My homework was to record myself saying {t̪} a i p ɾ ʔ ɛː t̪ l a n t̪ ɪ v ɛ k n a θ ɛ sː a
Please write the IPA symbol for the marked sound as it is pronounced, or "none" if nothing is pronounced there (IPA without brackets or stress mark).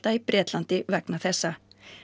t̪